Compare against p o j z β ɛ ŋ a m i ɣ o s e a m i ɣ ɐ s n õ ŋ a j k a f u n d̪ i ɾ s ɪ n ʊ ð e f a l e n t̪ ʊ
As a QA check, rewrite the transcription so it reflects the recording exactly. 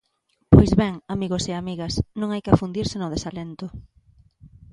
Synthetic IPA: p o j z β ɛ ŋ a m i ɣ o s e a m i ɣ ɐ s n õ ŋ a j k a f u n d̪ i ɾ s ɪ n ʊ ð e s a l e n t̪ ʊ